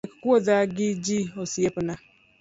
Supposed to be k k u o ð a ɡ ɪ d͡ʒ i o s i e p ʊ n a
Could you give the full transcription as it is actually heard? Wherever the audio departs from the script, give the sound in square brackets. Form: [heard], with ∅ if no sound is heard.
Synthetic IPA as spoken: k k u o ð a ɡ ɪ d͡ʒ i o s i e p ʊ n a